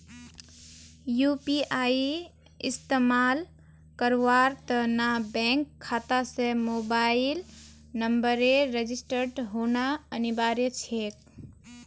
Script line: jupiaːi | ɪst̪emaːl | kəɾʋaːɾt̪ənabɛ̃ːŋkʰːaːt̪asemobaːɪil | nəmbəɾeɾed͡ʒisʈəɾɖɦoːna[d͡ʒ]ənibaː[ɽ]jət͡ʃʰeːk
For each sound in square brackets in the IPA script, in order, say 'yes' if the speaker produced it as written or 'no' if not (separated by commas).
no, no